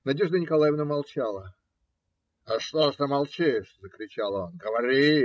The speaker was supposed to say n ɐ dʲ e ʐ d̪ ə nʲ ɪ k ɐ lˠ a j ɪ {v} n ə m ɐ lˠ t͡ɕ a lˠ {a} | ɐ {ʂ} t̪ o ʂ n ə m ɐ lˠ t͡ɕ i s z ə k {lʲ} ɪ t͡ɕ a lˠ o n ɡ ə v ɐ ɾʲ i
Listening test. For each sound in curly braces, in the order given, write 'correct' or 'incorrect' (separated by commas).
correct, incorrect, correct, incorrect